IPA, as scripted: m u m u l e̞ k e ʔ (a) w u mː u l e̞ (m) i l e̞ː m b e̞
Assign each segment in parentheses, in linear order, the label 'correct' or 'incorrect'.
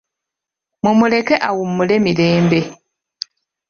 correct, correct

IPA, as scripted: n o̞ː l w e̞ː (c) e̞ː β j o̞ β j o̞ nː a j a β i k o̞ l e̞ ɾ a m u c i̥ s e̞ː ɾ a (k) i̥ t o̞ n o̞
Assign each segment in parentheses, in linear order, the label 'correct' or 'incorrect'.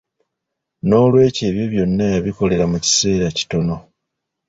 correct, incorrect: c

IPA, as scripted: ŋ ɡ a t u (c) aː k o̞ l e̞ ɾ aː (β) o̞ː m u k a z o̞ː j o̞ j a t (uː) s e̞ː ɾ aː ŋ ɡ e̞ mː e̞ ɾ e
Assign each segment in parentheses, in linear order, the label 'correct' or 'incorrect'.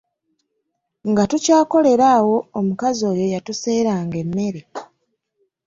correct, incorrect: w, incorrect: u

